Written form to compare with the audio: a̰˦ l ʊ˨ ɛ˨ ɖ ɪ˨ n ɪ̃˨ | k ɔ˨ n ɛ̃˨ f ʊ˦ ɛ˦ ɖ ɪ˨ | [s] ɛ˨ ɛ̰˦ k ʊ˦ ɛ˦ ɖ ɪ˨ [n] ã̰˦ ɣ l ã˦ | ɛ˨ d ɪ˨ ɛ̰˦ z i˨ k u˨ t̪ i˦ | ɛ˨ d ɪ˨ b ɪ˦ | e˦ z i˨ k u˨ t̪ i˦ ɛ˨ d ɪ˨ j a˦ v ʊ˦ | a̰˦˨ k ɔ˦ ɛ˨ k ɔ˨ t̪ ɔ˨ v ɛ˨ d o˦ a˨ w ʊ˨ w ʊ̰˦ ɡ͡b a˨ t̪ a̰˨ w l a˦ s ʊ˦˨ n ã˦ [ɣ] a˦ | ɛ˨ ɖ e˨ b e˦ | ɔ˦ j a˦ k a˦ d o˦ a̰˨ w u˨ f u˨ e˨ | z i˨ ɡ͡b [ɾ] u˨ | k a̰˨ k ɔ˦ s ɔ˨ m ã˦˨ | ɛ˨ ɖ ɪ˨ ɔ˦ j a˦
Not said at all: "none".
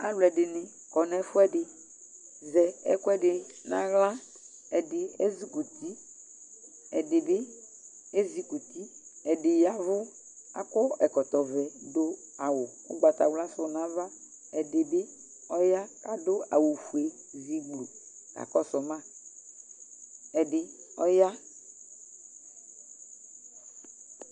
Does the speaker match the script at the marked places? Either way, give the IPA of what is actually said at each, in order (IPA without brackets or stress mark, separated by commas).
z, n, v, l